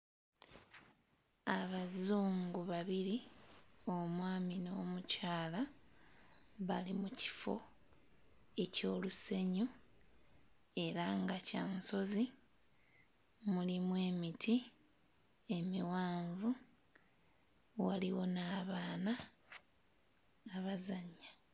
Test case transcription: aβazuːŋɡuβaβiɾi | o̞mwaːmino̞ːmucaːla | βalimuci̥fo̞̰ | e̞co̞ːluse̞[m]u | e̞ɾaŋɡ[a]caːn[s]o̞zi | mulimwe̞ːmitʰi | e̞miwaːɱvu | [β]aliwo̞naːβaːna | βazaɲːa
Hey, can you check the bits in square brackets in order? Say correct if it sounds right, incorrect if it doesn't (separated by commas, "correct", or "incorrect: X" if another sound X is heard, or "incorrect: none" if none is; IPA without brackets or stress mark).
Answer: incorrect: ɲ, correct, correct, incorrect: w